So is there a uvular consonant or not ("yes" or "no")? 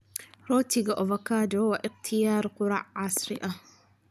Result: yes